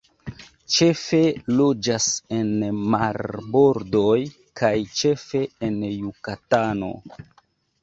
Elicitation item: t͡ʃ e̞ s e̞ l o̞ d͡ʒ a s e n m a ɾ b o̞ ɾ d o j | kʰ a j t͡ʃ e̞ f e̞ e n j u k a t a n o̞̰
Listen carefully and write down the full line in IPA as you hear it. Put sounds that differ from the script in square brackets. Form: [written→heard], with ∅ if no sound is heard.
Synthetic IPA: t͡ʃ e̞ [s→f] e̞ l o̞ d͡ʒ a s e n m a ɾ b o̞ ɾ d o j | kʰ a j t͡ʃ e̞ f e̞ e n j u k a t a n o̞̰